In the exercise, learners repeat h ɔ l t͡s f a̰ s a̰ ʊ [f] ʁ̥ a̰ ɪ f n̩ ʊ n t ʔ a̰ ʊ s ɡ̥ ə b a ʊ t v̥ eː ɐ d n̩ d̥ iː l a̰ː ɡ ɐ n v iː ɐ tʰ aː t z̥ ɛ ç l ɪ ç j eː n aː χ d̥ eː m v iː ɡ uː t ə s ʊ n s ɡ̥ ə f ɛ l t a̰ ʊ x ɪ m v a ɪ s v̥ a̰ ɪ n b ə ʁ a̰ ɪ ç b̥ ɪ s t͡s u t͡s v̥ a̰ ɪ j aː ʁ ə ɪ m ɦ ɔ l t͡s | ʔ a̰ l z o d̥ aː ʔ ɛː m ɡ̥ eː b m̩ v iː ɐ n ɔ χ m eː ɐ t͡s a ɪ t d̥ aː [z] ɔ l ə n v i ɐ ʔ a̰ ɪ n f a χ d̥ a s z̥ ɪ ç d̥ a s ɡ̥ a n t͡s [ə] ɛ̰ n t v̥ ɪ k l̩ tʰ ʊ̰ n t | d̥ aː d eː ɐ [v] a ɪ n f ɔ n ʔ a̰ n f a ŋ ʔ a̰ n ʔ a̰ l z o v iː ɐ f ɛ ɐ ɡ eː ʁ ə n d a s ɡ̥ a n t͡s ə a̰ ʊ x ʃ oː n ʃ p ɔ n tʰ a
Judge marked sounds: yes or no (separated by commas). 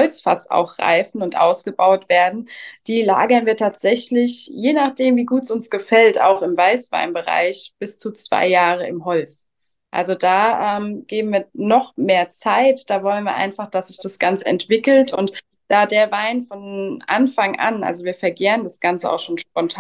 no, no, yes, yes